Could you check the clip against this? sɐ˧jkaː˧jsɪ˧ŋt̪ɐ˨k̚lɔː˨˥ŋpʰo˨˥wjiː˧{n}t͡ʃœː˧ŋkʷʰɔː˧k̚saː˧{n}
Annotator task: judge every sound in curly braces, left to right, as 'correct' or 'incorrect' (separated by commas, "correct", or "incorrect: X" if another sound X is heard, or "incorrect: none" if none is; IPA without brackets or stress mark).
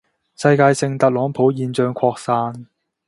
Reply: correct, correct